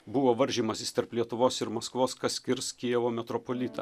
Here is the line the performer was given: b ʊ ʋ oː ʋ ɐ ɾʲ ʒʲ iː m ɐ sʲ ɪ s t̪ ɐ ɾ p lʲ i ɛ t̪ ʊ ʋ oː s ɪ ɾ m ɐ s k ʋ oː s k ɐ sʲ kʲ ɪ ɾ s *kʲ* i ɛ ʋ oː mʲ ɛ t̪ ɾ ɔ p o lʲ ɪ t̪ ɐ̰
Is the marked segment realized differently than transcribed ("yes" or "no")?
no